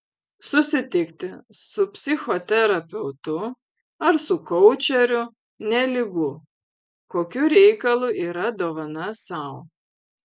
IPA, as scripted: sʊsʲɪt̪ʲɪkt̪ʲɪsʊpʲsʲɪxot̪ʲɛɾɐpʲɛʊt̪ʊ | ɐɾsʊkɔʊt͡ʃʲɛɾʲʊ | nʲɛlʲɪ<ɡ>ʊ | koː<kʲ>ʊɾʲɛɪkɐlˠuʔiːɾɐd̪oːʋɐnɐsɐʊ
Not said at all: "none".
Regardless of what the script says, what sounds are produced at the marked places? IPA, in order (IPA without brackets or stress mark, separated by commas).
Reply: ɡ, kʲ